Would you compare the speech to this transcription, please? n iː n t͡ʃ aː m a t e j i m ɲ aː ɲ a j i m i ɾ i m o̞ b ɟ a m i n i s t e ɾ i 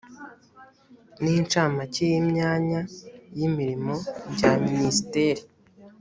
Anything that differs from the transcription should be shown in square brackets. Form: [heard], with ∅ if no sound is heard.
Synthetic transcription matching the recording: n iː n t͡ʃ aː m a [c] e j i m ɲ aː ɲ a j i m i ɾ i m o̞ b ɟ a m i n i s t e ɾ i